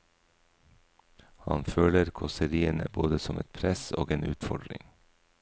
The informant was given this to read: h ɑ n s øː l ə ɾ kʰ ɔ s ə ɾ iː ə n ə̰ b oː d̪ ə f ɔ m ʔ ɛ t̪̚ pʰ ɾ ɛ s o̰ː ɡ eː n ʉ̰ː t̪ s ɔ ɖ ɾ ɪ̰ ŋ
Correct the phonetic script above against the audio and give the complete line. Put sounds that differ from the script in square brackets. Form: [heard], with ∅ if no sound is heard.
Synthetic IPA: h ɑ n [f] øː l ə ɾ kʰ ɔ s ə ɾ iː ə n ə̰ b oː d̪ ə [s] ɔ m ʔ ɛ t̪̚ pʰ ɾ ɛ s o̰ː ɡ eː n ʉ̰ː t̪ [f] ɔ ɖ ɾ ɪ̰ ŋ